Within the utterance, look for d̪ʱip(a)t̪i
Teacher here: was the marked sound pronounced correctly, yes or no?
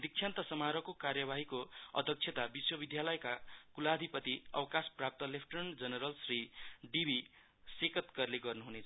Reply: no